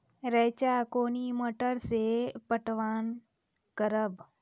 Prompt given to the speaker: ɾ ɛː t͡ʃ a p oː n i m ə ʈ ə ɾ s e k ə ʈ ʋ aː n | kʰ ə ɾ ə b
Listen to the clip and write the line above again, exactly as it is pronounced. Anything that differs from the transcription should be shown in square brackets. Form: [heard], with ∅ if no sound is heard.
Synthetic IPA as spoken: ɾ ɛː t͡ʃ a [k] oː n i m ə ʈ ə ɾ s e [p] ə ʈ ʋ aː n | [k] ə ɾ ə b